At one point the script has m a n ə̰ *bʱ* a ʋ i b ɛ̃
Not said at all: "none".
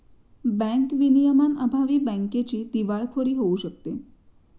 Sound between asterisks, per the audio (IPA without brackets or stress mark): bʱ